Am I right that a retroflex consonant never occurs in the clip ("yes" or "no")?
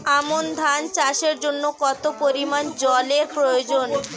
yes